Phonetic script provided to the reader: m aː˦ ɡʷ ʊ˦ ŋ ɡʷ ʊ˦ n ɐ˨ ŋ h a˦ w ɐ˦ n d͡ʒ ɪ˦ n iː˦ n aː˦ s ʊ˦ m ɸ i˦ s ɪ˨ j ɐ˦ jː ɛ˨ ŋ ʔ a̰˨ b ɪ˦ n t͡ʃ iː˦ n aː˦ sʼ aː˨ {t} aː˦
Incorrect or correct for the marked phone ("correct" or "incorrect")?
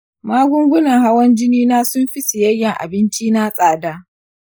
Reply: incorrect